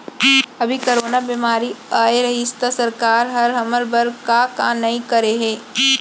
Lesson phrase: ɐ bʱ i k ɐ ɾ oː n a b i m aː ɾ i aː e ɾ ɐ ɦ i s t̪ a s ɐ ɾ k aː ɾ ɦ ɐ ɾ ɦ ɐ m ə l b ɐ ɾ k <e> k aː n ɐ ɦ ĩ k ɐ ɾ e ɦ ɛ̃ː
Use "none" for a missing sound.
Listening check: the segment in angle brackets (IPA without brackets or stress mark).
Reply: a